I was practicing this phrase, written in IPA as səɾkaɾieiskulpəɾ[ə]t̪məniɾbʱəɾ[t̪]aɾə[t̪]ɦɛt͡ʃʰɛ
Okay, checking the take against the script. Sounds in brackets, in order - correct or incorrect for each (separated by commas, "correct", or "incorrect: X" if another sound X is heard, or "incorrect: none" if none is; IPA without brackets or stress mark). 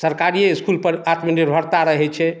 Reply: incorrect: a, correct, incorrect: none